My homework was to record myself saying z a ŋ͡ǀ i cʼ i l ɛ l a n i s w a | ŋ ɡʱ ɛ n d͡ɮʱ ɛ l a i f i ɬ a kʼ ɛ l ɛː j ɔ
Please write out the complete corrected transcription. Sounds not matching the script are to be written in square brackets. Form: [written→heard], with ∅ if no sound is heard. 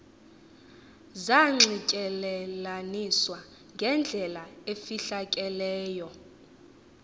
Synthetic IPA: z a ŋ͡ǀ i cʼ [i→ɛ] l ɛ l a n i s w a | ŋ ɡʱ ɛ n d͡ɮʱ ɛ l a [i→e] f i ɬ a kʼ ɛ l ɛː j ɔ